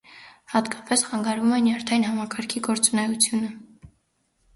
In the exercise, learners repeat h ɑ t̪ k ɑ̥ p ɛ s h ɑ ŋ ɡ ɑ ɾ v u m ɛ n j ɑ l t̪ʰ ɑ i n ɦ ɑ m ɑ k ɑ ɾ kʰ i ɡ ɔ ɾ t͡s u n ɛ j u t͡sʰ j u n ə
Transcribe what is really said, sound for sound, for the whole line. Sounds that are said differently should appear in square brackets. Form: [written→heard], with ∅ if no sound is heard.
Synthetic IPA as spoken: h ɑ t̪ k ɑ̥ p ɛ s [h→χ] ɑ ŋ ɡ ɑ ɾ v u m ɛ n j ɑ [l→ɾ] t̪ʰ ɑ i n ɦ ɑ m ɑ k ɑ ɾ kʰ i ɡ ɔ ɾ t͡s u n ɛ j u t͡sʰ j u n ə